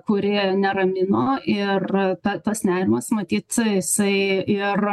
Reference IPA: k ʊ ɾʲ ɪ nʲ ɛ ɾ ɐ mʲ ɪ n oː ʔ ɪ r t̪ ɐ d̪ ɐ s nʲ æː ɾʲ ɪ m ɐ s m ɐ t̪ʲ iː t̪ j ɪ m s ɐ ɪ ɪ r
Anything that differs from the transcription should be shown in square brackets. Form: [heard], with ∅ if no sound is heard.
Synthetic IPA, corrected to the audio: k ʊ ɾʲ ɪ nʲ ɛ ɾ ɐ mʲ ɪ n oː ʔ ɪ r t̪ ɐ [t̪] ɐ s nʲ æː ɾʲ ɪ m ɐ s m ɐ t̪ʲ iː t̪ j ɪ [∅] s ɐ ɪ ɪ r